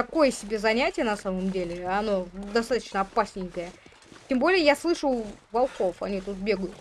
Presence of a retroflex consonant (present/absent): present